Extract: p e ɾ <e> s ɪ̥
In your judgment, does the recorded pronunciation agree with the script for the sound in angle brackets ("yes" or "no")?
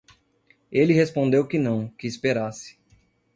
no